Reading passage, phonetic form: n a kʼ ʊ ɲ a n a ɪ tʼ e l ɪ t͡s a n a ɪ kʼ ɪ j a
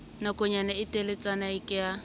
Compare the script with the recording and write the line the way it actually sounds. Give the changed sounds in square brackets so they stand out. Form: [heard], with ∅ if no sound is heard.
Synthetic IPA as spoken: n a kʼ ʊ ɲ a n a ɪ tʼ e l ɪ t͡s a n a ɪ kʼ ɪ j a

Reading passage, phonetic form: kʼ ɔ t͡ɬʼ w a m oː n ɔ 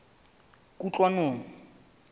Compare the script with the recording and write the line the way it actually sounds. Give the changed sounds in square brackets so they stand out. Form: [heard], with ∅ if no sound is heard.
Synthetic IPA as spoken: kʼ [u] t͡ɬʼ w a [n] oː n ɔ

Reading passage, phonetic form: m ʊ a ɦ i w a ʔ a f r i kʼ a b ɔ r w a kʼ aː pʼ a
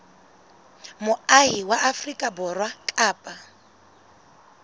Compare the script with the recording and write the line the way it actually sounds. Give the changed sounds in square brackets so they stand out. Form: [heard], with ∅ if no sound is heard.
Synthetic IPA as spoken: m ʊ a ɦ i w a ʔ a f r i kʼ a b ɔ r w a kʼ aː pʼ a

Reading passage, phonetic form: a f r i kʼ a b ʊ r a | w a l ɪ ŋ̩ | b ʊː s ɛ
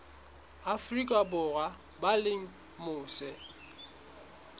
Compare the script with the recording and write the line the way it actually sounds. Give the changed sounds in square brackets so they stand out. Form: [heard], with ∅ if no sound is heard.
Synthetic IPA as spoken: a f r i kʼ a b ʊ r a | [b] a l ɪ ŋ̩ | [m] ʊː s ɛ

